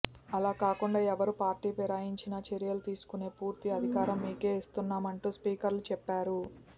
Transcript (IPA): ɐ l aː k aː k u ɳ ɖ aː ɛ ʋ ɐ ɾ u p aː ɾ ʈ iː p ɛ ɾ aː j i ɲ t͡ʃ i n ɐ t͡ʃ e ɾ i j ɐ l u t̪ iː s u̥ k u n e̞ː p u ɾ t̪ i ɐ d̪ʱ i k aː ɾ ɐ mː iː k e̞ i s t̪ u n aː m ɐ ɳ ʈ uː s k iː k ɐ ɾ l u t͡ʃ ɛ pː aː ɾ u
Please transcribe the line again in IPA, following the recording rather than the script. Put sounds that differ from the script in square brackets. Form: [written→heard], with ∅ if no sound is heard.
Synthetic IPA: ɐ l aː k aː k u ɳ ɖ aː ɛ ʋ ɐ ɾ u p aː ɾ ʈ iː p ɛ ɾ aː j i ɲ t͡ʃ i n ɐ t͡ʃ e ɾ i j ɐ l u t̪ iː s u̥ k u n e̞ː p [u→uː] ɾ t̪ i ɐ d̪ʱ i k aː ɾ ɐ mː iː k e̞ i s t̪ u [n→nː] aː m ɐ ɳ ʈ uː s [k→p] iː k ɐ ɾ l u t͡ʃ ɛ pː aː ɾ u

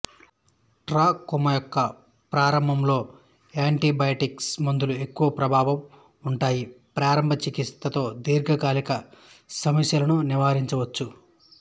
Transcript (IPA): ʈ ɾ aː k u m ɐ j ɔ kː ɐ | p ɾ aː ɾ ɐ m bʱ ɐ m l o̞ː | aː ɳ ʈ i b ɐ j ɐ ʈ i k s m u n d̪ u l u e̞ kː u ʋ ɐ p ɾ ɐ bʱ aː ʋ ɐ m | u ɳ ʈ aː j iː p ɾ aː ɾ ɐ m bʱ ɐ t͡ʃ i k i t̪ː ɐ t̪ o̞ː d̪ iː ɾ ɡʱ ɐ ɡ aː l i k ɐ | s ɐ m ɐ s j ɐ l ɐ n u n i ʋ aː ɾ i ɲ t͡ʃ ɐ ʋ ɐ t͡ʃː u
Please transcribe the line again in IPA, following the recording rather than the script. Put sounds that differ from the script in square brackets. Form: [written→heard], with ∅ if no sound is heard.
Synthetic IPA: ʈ ɾ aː k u m ɐ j ɔ kː ɐ | p ɾ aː ɾ ɐ m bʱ ɐ m l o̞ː | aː ɳ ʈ i b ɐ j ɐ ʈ i k s m u n d̪ u l u e̞ kː u ʋ ɐ p ɾ ɐ bʱ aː ʋ ɐ m | u ɳ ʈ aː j [iː→i] p ɾ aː ɾ ɐ m bʱ ɐ t͡ʃ i k i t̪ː ɐ t̪ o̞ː d̪ iː ɾ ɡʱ ɐ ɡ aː l i k ɐ | s ɐ m ɐ s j ɐ l ɐ n u n i ʋ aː ɾ i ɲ t͡ʃ ɐ ʋ ɐ t͡ʃː u

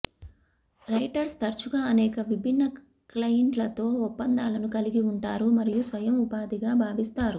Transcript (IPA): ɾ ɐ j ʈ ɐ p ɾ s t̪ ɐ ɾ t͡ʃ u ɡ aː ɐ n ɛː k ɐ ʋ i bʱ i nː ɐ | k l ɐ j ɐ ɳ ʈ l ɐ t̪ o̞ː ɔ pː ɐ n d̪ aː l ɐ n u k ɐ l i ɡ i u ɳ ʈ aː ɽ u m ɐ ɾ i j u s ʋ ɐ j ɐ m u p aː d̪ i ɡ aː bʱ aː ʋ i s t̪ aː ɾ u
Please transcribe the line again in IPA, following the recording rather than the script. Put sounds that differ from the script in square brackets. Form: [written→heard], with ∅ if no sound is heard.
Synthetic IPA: ɾ ɐ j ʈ ɐ [p→∅] ɾ s t̪ ɐ ɾ t͡ʃ u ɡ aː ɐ n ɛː k ɐ ʋ i bʱ i nː ɐ | k l ɐ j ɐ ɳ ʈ l ɐ t̪ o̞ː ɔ pː ɐ n d̪ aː l ɐ n u k ɐ l i ɡ i u ɳ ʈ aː [ɽ→ɾ] u m ɐ ɾ i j u s ʋ ɐ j ɐ m u p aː d̪ i ɡ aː bʱ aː ʋ i s t̪ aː ɾ u

